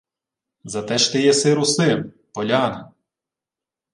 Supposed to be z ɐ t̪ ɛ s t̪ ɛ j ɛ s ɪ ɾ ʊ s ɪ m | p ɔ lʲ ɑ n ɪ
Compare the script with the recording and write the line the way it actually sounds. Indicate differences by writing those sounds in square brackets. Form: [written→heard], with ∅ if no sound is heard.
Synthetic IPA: z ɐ t̪ ɛ [s→ʃ] t̪ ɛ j ɛ s ɪ ɾ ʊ s ɪ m | p ɔ lʲ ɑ n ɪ